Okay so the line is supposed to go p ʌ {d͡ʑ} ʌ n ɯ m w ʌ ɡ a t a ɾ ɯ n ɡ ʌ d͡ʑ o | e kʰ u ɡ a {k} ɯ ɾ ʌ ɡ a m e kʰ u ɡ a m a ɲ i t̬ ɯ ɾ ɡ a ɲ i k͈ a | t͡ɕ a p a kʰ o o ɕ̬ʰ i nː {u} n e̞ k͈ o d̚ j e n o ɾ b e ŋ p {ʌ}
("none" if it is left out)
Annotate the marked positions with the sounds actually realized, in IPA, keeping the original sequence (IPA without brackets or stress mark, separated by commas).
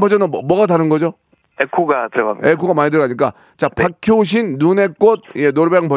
d͡ʑ, t, u, ʌ